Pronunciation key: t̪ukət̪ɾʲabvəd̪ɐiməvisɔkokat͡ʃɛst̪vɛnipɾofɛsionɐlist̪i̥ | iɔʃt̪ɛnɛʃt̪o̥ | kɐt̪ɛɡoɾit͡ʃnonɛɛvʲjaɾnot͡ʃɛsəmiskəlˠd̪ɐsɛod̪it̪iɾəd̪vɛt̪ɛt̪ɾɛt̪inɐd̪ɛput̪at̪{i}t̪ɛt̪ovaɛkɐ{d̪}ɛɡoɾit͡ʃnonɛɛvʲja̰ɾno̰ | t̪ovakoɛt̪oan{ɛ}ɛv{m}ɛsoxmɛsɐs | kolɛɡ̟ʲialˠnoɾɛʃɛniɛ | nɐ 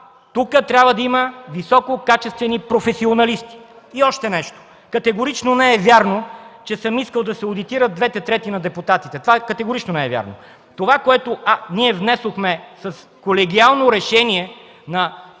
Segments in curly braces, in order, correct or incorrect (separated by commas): correct, incorrect, incorrect, incorrect